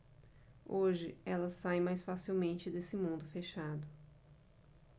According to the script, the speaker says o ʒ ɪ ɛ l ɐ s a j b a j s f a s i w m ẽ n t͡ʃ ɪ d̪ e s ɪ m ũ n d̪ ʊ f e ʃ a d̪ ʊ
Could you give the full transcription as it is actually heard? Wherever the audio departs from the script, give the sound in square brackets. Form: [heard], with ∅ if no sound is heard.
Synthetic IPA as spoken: o ʒ ɪ ɛ l ɐ s a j [m] a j s f a s i w m ẽ n t͡ʃ ɪ d̪ e s ɪ m ũ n d̪ ʊ f e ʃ a d̪ ʊ